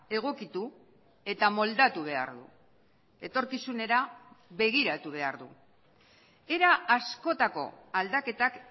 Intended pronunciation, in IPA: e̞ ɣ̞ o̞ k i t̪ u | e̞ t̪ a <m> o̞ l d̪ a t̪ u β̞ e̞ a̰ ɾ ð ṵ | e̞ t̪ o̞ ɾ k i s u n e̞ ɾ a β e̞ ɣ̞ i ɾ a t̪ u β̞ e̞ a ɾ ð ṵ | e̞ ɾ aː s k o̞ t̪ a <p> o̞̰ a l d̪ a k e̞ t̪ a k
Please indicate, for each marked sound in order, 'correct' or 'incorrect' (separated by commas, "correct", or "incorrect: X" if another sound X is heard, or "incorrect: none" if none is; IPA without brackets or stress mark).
correct, incorrect: k